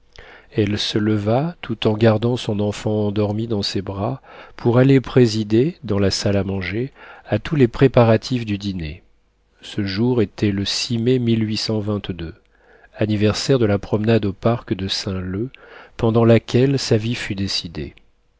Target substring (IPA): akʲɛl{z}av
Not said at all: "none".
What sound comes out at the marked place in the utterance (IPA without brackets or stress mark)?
s